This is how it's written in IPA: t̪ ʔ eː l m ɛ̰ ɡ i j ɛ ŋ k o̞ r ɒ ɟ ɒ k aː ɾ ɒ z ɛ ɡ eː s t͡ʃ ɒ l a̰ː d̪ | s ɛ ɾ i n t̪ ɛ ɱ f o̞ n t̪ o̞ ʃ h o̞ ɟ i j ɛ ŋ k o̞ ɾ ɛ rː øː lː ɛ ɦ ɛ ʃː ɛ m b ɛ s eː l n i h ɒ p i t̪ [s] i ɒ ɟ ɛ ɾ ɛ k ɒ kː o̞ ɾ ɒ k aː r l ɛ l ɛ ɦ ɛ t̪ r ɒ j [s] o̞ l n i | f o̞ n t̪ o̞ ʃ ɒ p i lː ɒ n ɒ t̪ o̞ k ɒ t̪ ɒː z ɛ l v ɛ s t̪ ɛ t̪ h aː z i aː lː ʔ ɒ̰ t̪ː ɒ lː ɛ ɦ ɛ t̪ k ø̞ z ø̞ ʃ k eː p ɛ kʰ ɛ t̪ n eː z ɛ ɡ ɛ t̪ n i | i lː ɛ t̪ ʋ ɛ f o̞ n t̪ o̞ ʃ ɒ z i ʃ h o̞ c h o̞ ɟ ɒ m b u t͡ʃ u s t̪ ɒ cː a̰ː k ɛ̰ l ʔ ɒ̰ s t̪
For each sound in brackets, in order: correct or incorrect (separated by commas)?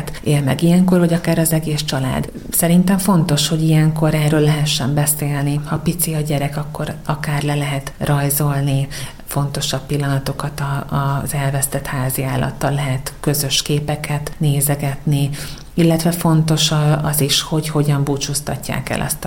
correct, incorrect